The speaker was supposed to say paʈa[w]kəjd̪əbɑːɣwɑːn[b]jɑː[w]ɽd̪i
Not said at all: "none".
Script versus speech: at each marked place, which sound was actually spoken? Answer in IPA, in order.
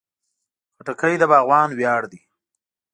none, w, none

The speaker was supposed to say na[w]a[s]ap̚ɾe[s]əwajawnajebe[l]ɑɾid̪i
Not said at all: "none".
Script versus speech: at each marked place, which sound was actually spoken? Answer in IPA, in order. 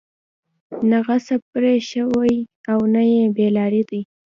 ɣ, s, ʃ, l

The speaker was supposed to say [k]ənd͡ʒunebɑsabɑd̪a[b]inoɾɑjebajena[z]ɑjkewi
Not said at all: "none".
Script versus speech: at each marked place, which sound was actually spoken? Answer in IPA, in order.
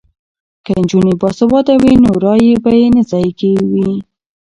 k, w, z

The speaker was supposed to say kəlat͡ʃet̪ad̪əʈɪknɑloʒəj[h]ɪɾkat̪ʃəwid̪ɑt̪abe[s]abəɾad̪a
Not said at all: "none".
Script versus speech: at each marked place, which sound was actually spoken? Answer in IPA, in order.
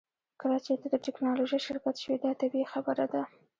ʃ, x

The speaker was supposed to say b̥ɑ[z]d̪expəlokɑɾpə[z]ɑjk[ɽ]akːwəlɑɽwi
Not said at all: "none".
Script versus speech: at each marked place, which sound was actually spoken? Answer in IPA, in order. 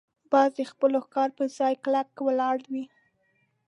z, z, l

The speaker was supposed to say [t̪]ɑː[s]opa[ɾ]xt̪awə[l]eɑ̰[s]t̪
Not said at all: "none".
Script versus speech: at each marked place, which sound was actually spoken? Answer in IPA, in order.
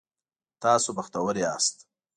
t̪, s, none, ɾ, s

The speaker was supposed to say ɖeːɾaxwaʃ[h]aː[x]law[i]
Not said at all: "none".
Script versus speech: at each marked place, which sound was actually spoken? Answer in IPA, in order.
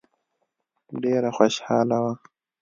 h, none, a

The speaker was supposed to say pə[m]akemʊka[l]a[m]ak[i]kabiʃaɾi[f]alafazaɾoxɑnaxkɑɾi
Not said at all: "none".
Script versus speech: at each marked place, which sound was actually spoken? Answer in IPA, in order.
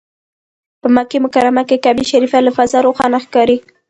m, ɾ, m, e, f

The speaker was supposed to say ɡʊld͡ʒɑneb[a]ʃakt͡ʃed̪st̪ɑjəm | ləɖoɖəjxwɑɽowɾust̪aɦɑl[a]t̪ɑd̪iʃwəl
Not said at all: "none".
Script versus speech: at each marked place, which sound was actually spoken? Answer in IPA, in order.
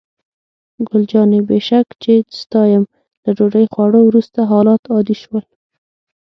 e, ɑ

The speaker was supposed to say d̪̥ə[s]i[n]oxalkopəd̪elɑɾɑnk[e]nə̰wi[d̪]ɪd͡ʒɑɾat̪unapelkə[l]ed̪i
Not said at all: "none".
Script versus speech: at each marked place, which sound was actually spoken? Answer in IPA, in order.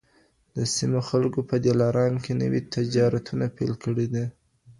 s, m, e, t̪, ɽ

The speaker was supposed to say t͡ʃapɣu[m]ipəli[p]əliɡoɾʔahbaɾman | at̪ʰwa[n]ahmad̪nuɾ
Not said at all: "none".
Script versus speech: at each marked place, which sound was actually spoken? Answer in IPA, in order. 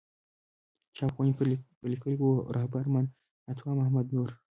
n, k, m

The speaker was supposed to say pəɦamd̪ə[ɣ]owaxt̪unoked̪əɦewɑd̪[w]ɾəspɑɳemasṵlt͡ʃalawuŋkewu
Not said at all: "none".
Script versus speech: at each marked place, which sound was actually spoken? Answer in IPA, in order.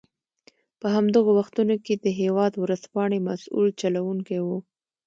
ɣ, w

